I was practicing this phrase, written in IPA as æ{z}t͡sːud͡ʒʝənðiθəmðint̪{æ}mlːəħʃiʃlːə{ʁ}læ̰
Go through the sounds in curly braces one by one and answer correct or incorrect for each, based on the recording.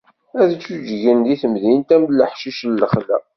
incorrect: ð, correct, incorrect: χ

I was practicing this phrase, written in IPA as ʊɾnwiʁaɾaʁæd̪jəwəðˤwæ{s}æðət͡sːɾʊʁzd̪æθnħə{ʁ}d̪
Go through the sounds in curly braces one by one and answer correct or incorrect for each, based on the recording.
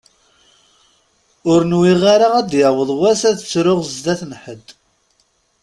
correct, incorrect: none

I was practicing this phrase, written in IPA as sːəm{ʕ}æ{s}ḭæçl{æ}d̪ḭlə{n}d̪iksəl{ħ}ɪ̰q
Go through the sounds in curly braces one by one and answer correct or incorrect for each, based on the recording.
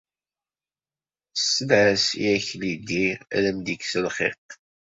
correct, correct, incorrect: i, incorrect: m, incorrect: χ

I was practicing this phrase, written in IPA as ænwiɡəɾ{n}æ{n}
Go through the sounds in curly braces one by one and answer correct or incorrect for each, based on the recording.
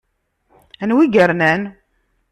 correct, correct

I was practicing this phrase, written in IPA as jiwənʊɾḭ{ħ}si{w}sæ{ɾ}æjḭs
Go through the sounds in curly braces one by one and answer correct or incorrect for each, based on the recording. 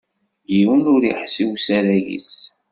correct, correct, correct

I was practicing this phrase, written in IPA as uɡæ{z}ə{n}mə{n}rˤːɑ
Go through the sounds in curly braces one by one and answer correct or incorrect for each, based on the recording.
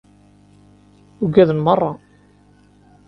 incorrect: ð, correct, incorrect: none

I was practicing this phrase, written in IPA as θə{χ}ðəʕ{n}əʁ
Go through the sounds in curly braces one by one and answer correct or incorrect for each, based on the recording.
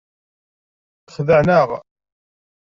correct, correct

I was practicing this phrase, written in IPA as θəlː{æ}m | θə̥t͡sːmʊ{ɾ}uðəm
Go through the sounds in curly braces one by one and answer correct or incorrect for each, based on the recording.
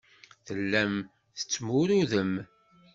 correct, correct

